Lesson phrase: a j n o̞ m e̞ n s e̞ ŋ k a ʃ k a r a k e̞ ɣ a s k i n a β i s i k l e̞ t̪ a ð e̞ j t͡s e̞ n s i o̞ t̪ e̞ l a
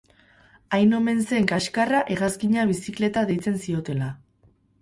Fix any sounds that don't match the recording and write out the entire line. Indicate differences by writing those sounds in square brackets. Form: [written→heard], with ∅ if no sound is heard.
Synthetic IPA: a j n o̞ m e̞ n s e̞ ŋ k a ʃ k a r a [k→ʔ] e̞ ɣ a s k i [n→ɲ] a β i s i k l e̞ t̪ a ð e̞ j t͡s e̞ n s i o̞ t̪ e̞ l a